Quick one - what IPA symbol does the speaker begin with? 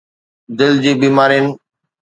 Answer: d̪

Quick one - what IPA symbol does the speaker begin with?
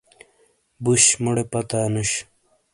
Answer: b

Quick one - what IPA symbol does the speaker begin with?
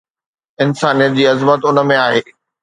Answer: ɪ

